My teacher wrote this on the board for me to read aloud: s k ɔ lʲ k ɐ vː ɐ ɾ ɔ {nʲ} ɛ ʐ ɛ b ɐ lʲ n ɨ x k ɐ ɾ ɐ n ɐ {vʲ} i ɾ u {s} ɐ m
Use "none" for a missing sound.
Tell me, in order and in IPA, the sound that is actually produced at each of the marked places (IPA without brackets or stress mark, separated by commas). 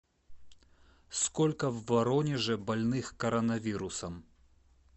nʲ, vʲ, s